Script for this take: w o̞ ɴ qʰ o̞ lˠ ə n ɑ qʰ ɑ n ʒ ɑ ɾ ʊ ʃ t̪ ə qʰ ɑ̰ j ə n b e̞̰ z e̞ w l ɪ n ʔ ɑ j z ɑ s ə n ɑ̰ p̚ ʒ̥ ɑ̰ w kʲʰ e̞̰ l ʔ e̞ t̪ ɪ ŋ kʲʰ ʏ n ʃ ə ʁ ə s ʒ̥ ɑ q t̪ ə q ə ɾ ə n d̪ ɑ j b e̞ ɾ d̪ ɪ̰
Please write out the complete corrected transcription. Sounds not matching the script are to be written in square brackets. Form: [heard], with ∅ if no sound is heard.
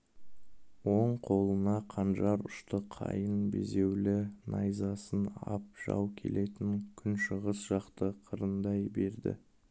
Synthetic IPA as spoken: w o̞ ɴ qʰ o̞ lˠ ə n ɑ qʰ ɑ n ʒ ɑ ɾ ʊ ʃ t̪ ə qʰ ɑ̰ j ə n b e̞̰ z e̞ w l ɪ n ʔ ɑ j z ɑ s ə n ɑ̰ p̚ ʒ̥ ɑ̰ w kʲʰ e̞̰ l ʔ e̞ t̪ ɪ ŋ kʲʰ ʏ n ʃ ə ʁ ə s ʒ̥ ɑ q t̪ ə [qʰ] ə ɾ ə n d̪ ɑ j b e̞ ɾ d̪ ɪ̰

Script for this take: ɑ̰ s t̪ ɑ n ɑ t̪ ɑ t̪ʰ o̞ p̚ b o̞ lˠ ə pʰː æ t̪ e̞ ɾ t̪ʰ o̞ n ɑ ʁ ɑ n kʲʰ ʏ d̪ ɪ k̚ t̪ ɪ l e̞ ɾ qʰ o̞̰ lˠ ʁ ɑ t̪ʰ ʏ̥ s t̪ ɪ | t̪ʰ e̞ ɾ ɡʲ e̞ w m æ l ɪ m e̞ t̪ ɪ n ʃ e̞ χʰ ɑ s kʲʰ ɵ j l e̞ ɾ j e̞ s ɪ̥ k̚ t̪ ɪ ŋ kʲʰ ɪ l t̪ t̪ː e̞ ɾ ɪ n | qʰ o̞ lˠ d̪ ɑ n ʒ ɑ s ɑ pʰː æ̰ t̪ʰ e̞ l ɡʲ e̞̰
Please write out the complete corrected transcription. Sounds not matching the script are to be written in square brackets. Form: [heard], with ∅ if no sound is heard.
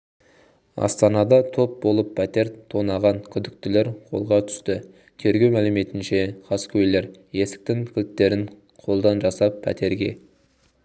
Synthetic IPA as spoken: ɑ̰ s t̪ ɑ n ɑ [d̪] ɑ t̪ʰ o̞ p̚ b o̞ lˠ ə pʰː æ t̪ e̞ ɾ t̪ʰ o̞ n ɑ ʁ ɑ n kʲʰ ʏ d̪ ɪ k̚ t̪ ɪ l e̞ ɾ qʰ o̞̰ lˠ ʁ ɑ t̪ʰ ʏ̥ s t̪ ɪ | t̪ʰ e̞ ɾ ɡʲ e̞ w m æ l ɪ m e̞ t̪ ɪ n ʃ e̞ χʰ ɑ s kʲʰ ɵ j l e̞ ɾ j e̞ s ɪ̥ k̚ t̪ ɪ ŋ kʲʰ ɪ l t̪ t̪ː e̞ ɾ ɪ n | qʰ o̞ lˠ d̪ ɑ n ʒ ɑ s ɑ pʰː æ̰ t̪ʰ e̞ [ɾ] ɡʲ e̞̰

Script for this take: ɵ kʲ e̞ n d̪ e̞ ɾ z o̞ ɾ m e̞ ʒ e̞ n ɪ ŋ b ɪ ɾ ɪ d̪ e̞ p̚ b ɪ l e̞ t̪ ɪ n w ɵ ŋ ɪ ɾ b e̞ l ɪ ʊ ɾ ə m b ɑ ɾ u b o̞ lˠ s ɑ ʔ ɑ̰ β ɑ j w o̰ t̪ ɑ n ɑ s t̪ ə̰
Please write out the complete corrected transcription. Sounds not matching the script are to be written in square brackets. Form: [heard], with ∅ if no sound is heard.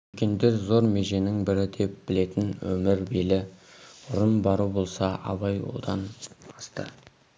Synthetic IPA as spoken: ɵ kʲ e̞ n d̪ e̞ ɾ z o̞ ɾ m e̞ ʒ e̞ n ɪ ŋ b ɪ ɾ ɪ d̪ e̞ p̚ b ɪ l e̞ t̪ ɪ n w ɵ [m] ɪ ɾ b e̞ l ɪ ʊ ɾ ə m b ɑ ɾ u b o̞ lˠ s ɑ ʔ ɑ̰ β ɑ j w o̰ [d̪] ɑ n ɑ s t̪ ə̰

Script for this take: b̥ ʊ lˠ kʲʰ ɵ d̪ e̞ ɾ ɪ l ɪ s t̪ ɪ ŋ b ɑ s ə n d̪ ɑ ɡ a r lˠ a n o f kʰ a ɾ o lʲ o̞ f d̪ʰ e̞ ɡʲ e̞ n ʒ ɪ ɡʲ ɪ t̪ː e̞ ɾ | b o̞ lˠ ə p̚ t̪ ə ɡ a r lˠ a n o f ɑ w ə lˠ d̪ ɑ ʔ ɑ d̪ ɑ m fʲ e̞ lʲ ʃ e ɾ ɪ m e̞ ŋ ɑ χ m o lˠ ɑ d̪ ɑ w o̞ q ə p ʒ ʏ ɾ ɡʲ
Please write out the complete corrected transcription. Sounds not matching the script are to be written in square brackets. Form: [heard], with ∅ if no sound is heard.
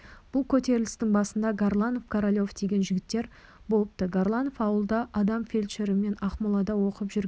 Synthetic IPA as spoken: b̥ ʊ lˠ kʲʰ ɵ [t̪] e̞ ɾ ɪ l ɪ s t̪ ɪ ŋ b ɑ s ə n d̪ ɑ ɡ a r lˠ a n o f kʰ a ɾ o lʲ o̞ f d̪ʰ e̞ ɡʲ e̞ n ʒ ɪ ɡʲ ɪ t̪ː e̞ ɾ | b o̞ lˠ ə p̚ t̪ ə ɡ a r lˠ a n o f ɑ w ə lˠ d̪ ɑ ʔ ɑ d̪ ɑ m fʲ e̞ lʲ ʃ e ɾ ɪ m e̞ [n] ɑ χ m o lˠ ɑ d̪ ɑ w o̞ q ə p ʒ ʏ ɾ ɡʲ

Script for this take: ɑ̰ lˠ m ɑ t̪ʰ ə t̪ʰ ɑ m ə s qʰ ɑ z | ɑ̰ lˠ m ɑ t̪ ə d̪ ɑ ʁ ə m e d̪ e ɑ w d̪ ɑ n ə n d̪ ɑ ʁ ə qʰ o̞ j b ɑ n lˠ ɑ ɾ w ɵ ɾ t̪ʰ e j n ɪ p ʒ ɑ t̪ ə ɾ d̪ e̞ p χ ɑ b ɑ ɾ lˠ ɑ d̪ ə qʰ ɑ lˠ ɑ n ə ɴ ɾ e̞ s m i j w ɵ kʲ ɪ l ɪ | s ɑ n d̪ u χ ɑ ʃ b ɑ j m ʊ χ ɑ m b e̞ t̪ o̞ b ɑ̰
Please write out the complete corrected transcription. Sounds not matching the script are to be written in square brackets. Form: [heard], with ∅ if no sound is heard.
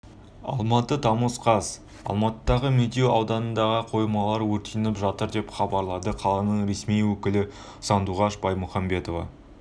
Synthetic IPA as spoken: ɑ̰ lˠ m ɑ [t̪] ə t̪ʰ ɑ m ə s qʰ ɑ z | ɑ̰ lˠ m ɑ t̪ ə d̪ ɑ ʁ ə m e d̪ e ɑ w d̪ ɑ n ə n d̪ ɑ ʁ ə qʰ o̞ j [m] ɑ [∅] lˠ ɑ ɾ w ɵ ɾ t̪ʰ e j n ɪ p ʒ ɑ t̪ ə ɾ d̪ e̞ p χ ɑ b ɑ ɾ lˠ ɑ d̪ ə qʰ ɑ lˠ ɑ n ə ɴ ɾ e̞ s m i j w ɵ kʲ ɪ l ɪ | s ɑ n d̪ u [ʁ] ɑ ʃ b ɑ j m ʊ χ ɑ m b e̞ t̪ o̞ [v] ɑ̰

